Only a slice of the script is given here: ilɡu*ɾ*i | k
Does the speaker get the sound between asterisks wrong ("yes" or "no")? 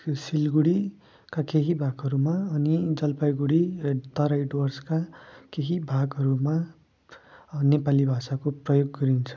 yes